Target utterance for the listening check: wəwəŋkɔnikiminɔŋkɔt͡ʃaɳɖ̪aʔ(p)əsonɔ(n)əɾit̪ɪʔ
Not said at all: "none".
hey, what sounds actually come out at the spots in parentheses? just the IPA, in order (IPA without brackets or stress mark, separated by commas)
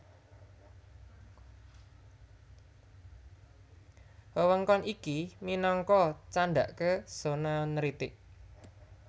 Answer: k, n